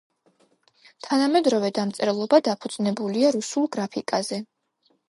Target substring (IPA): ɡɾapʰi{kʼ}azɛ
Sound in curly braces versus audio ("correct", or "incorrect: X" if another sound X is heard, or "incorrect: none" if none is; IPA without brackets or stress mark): correct